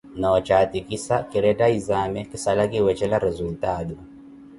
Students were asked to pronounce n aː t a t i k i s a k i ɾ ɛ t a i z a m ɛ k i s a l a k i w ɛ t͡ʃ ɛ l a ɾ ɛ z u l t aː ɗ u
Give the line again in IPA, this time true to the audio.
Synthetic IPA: n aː t͡ʃ a t i k i s a k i ɾ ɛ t a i z a m ɛ k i s a l a k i w ɛ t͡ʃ ɛ l a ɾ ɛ z u l t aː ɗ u